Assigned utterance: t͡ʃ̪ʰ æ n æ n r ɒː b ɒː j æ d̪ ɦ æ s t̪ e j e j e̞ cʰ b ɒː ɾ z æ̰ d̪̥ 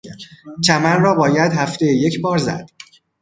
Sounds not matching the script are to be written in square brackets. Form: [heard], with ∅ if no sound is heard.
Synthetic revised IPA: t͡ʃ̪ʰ æ [m] æ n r ɒː b ɒː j æ d̪ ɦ æ [f] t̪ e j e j e̞ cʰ b ɒː ɾ z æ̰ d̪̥